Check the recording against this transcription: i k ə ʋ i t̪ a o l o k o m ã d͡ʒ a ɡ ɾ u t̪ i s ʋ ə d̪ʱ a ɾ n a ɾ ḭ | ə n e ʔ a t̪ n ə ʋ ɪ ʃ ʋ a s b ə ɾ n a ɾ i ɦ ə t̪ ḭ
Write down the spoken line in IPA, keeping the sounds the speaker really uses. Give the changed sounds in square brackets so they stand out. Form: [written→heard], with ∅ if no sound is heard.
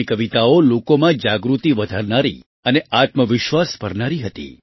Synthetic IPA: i k ə ʋ i t̪ a o l o k o m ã d͡ʒ a ɡ ɾ u t̪ i [s→∅] ʋ ə d̪ʱ a ɾ n a ɾ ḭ | ə n e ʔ a t̪ [n→m] ə ʋ ɪ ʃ ʋ a s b ə ɾ n a ɾ i ɦ ə t̪ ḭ